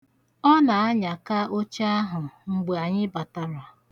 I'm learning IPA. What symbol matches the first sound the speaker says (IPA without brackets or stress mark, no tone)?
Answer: ɔ